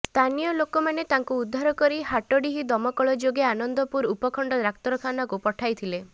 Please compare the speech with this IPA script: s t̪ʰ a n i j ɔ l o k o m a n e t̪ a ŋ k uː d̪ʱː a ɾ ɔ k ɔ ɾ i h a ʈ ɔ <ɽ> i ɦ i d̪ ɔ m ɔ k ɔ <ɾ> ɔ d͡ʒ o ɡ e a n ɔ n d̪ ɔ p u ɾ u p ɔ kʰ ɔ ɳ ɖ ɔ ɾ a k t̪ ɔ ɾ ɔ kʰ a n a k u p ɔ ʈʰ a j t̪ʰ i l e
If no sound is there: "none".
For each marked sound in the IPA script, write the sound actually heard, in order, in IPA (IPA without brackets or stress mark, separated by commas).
ɽ, ɭ